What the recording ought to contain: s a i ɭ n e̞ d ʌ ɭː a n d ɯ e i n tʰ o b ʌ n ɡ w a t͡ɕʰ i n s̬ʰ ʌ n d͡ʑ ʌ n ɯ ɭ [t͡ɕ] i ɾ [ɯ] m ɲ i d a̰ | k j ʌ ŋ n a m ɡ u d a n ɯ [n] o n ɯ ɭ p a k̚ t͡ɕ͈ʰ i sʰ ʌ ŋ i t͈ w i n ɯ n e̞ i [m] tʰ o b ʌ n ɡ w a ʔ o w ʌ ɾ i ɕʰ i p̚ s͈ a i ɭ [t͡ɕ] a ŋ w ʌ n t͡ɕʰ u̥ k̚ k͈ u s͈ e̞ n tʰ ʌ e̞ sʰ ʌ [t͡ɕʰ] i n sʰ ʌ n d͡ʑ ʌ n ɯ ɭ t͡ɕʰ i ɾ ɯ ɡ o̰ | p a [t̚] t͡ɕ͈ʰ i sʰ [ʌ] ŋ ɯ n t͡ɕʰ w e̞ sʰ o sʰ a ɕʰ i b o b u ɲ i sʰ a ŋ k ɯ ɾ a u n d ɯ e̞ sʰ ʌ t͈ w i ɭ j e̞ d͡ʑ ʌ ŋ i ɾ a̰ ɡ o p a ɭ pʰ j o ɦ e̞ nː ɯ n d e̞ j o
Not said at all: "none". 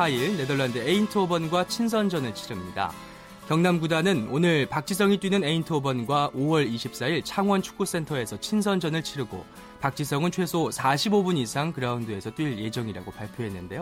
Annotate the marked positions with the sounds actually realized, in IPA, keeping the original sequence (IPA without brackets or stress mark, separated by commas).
t͡ɕʰ, ɯ, n, n, t͡ɕʰ, t͡ɕʰ, k̚, ʌ